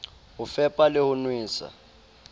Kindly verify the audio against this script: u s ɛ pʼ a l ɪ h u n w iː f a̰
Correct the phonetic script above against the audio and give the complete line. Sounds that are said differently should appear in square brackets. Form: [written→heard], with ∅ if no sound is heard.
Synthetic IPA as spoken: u [s→f] ɛ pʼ a l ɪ h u n w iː [f→s] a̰